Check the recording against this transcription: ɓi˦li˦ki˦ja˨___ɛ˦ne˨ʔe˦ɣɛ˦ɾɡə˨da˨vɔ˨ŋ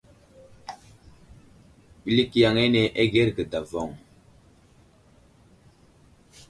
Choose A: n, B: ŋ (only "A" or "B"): B